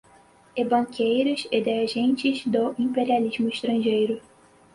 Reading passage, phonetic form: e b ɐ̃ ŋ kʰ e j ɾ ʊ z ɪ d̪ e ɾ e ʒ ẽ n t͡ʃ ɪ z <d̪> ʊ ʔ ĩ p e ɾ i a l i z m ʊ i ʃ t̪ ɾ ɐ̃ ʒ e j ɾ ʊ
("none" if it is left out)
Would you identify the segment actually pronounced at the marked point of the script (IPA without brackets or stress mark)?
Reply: d̪